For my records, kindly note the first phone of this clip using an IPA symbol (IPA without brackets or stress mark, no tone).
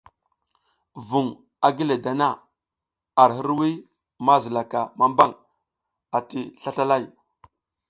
v